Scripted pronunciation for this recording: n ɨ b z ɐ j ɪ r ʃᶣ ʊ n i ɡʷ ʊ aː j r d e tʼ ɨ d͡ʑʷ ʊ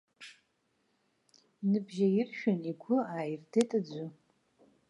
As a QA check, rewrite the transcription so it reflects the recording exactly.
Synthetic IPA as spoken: n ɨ b ʒ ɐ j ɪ r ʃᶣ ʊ n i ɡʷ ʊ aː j r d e tʼ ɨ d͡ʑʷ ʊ